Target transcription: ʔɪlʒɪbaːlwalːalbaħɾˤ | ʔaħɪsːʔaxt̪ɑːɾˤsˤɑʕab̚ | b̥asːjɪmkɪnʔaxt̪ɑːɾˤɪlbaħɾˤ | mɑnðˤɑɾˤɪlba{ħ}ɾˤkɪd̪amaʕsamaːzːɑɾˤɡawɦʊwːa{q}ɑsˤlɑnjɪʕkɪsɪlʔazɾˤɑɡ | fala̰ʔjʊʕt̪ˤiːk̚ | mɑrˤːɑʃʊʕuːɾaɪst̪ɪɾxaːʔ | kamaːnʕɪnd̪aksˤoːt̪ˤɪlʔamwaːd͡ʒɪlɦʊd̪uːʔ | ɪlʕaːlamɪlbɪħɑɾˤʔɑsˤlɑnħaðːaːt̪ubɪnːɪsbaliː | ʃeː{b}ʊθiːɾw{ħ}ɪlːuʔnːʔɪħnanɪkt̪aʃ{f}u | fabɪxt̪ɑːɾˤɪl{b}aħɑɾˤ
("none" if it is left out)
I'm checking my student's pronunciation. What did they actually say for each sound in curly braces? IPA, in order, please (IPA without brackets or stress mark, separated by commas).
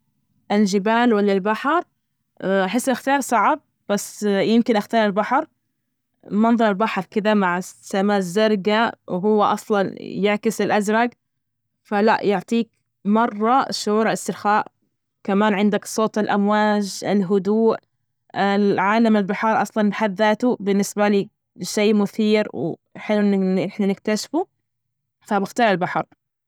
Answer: ħ, ʔ, m, ħ, f, b